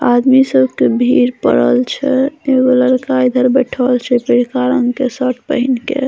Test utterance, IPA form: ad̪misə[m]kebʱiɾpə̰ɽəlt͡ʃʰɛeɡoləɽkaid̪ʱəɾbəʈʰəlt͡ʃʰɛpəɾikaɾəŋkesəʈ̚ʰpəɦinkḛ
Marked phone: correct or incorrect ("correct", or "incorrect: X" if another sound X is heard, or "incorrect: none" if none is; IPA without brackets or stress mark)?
incorrect: b